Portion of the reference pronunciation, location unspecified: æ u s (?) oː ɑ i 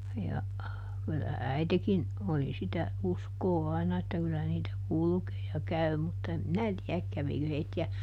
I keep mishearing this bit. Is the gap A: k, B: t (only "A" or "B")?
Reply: A